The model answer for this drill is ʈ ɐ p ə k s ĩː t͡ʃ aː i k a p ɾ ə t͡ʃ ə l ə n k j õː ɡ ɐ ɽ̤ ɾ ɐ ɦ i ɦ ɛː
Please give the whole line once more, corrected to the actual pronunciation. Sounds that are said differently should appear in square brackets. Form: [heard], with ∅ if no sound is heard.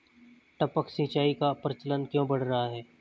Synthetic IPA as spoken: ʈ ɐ p ə k s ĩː t͡ʃ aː i k a p ɾ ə t͡ʃ ə l ə n k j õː [b] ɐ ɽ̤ ɾ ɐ ɦ [a] ɦ ɛː